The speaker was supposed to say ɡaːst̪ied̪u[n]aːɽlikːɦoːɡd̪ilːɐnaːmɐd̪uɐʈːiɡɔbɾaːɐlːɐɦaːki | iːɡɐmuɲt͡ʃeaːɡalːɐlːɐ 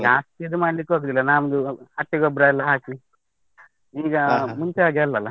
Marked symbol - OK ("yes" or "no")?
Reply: no